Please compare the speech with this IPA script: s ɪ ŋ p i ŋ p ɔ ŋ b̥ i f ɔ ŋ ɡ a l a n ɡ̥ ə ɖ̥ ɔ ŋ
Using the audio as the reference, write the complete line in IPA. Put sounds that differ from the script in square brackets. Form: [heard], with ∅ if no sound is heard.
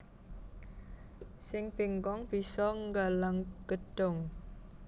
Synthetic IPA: s ɪ ŋ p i ŋ [k] ɔ ŋ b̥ i [s] ɔ ŋ ɡ a l a [ŋ] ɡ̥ ə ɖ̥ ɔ ŋ